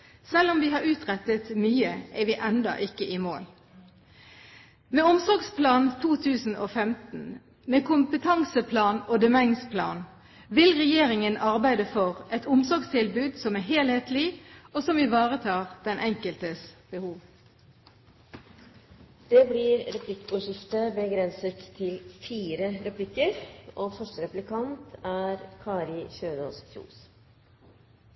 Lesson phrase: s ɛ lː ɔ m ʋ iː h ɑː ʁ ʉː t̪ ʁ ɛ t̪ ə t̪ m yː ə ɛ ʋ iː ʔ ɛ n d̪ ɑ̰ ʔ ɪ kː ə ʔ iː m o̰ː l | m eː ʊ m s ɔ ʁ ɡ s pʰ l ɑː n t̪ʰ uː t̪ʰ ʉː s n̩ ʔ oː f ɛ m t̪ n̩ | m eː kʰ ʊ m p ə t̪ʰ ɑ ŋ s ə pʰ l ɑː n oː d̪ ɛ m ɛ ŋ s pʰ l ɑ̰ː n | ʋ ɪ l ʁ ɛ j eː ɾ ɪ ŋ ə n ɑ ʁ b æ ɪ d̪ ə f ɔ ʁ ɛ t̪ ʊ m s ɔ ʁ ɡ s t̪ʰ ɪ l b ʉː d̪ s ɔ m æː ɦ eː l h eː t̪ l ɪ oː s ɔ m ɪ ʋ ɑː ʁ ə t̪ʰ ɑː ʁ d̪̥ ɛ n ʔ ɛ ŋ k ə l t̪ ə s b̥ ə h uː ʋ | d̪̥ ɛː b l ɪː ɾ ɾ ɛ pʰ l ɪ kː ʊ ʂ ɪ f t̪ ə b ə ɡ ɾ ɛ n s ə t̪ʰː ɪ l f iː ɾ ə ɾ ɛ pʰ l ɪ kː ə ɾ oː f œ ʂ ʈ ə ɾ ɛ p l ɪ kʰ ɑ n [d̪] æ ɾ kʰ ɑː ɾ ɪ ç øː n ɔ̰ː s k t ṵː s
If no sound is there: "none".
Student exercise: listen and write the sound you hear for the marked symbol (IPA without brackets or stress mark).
t̪